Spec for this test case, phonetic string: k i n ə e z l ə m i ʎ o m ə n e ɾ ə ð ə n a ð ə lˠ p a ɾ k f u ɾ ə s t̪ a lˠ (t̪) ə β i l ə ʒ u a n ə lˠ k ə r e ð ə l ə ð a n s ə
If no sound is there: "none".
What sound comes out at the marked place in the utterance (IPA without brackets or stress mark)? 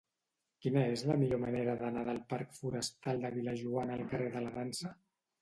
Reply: d̪